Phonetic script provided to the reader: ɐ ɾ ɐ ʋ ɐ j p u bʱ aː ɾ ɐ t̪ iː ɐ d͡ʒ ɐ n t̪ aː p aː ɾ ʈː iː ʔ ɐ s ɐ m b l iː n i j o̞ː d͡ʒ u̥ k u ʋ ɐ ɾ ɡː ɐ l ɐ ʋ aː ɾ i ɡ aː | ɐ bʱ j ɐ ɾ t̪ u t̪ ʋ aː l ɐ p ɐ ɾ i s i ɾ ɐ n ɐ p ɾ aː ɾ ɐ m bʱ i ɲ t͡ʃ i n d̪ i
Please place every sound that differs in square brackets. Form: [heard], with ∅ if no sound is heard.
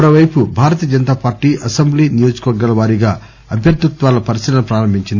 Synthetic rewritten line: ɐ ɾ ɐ ʋ ɐ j p u bʱ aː ɾ ɐ t̪ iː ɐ d͡ʒ ɐ n t̪ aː p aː ɾ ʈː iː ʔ ɐ s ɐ m b l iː n i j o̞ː d͡ʒ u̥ k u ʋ ɐ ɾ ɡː ɐ l ɐ ʋ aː ɾ i ɡ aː | ɐ bʱ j ɐ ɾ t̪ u t̪ ʋ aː l ɐ p ɐ ɾ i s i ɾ ɐ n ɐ p ɾ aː ɾ ɐ m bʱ i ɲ t͡ʃ i n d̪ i

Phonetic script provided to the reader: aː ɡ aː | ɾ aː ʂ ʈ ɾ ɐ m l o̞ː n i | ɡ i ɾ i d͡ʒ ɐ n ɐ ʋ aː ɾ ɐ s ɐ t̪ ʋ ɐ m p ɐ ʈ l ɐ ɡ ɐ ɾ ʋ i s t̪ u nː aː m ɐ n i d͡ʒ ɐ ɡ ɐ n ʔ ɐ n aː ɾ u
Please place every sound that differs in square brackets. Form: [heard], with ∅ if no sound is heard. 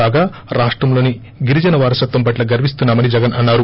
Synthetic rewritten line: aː ɡ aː | ɾ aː ʂ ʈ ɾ ɐ m l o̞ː n i | ɡ i ɾ i d͡ʒ ɐ n ɐ ʋ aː ɾ ɐ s ɐ t̪ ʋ ɐ m p ɐ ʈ l ɐ ɡ ɐ ɾ ʋ i s t̪ u nː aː m ɐ n i d͡ʒ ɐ ɡ ɐ n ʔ ɐ [nː] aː ɾ u

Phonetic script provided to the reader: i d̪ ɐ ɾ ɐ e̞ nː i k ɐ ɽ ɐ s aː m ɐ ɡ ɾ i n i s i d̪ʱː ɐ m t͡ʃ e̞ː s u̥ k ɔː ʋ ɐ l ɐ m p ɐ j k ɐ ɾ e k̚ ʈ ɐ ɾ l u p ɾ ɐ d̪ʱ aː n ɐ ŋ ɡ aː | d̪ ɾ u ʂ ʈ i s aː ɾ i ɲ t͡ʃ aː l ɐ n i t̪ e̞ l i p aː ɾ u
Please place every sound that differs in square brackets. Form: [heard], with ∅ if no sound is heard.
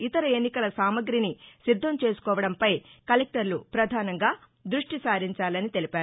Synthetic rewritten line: i [t̪] ɐ ɾ ɐ e̞ nː i k ɐ [l] ɐ s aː m ɐ ɡ ɾ i n i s i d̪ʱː ɐ m t͡ʃ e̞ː s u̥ k ɔː ʋ ɐ [ɽ] ɐ m p ɐ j k ɐ [l] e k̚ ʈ ɐ ɾ l u p ɾ ɐ d̪ʱ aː n ɐ ŋ ɡ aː | d̪ ɾ u ʂ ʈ i s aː ɾ i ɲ t͡ʃ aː l ɐ n i t̪ e̞ l i p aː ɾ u

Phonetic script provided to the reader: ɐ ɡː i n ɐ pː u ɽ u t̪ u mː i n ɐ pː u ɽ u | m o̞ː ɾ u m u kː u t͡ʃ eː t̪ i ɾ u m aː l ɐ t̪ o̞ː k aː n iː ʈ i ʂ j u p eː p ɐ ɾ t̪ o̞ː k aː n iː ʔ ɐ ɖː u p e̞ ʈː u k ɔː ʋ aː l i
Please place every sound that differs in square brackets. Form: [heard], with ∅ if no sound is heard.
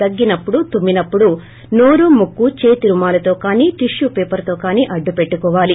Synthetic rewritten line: ɐ ɡː i n ɐ pː u ɽ u t̪ u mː i n ɐ pː u ɽ u | [n] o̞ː ɾ u m u kː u t͡ʃ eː t̪ i ɾ u m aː l ɐ t̪ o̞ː k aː n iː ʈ i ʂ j u p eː p ɐ ɾ t̪ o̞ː k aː n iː ʔ ɐ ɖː u p e̞ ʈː u k ɔː ʋ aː l i

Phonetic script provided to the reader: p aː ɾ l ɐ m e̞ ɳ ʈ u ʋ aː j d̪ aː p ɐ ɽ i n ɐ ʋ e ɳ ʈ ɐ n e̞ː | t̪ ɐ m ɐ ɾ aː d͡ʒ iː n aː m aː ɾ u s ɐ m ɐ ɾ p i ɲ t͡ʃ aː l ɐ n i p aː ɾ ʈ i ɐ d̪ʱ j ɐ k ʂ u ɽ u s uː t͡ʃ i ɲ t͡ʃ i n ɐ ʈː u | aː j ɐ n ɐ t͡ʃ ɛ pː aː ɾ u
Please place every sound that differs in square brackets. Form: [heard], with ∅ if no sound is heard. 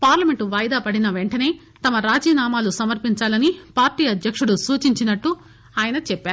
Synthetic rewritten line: p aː ɾ l ɐ m e̞ ɳ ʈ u ʋ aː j d̪ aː p ɐ ɽ i n ɐ ʋ e ɳ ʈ ɐ n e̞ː | t̪ ɐ m ɐ ɾ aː d͡ʒ iː n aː m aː [l] u s ɐ m ɐ ɾ p i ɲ t͡ʃ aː l ɐ n i p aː ɾ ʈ [iː] ɐ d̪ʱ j ɐ k ʂ u ɽ u s uː t͡ʃ i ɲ t͡ʃ i n ɐ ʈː u | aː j ɐ n ɐ t͡ʃ ɛ pː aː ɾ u

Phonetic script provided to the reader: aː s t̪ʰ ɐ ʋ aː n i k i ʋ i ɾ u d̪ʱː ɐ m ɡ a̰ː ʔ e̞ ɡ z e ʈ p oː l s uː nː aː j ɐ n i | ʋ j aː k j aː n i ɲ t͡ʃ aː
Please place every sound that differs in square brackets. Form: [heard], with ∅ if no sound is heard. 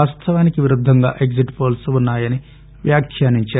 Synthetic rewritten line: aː s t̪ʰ ɐ ʋ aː n i k i ʋ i ɾ u d̪ʱː ɐ [ŋ] ɡ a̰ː ʔ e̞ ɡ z [i] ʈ p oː l s [u] nː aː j ɐ n i | ʋ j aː [kʰ] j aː n i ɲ t͡ʃ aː

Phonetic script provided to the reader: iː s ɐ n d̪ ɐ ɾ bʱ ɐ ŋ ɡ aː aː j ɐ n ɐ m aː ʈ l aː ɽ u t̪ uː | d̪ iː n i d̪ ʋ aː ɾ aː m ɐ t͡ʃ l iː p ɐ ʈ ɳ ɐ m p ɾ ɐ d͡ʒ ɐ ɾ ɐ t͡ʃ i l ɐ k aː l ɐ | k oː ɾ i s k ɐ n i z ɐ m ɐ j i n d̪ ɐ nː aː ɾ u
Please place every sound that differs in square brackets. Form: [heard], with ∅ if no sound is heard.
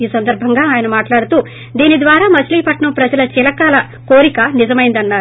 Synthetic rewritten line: iː s ɐ n d̪ ɐ ɾ bʱ ɐ ŋ ɡ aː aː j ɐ n ɐ m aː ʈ l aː ɽ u t̪ uː | d̪ iː n i d̪ ʋ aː ɾ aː m ɐ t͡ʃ l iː p ɐ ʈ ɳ ɐ m p ɾ ɐ d͡ʒ ɐ [l] ɐ t͡ʃ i l ɐ k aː l ɐ | k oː ɾ i [∅] k ɐ n i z ɐ m ɐ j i n d̪ ɐ nː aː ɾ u

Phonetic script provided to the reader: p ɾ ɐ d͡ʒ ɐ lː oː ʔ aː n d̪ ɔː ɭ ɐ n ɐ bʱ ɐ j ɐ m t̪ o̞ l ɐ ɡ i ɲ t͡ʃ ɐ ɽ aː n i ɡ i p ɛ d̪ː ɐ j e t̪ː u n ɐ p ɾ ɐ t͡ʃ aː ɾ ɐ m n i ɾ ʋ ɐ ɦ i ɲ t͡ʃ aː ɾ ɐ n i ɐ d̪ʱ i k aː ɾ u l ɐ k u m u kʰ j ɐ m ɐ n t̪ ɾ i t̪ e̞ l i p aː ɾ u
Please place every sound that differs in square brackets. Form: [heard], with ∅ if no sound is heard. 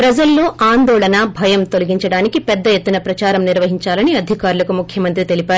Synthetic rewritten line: p ɾ ɐ d͡ʒ ɐ lː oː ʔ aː n d̪ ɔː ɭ ɐ n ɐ bʱ ɐ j ɐ m t̪ o̞ l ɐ ɡ i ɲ t͡ʃ ɐ ɽ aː n i [k] i p ɛ d̪ː ɐ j e t̪ː u n ɐ p ɾ ɐ t͡ʃ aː ɾ ɐ m n i ɾ ʋ ɐ ɦ i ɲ t͡ʃ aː [l] ɐ n i ɐ d̪ʱ i k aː ɾ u l ɐ k u m u kʰ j ɐ m ɐ n t̪ ɾ i t̪ e̞ l i p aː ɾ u

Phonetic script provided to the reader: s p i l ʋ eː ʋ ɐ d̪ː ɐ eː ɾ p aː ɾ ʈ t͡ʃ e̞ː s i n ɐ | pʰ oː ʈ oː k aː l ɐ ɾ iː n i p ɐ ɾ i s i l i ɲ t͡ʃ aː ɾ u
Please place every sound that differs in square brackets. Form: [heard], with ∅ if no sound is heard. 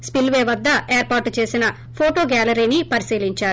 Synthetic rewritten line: s p i l ʋ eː ʋ ɐ d̪ː ɐ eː ɾ p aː ɾ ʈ t͡ʃ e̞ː s i n ɐ | pʰ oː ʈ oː [ɡ] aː l ɐ ɾ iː n i p ɐ ɾ i s [iː] l i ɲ t͡ʃ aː ɾ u

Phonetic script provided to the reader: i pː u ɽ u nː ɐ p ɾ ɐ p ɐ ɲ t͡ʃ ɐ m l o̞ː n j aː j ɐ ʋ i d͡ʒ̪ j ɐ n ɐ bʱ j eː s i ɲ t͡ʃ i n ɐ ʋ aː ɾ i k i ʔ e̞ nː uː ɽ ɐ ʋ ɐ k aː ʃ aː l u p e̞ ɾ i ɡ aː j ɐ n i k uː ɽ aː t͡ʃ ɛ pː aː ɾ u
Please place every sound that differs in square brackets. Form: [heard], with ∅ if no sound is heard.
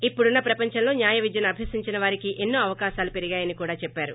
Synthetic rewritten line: i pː u ɽ u nː ɐ p ɾ ɐ p ɐ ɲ t͡ʃ ɐ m l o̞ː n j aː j ɐ ʋ i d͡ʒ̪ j ɐ n ɐ bʱ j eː s i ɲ t͡ʃ i n ɐ ʋ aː ɾ i k i ʔ e̞ nː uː [∅] ɐ ʋ ɐ k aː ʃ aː l u p e̞ ɾ i ɡ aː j ɐ n i k uː ɽ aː t͡ʃ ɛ pː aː ɾ u

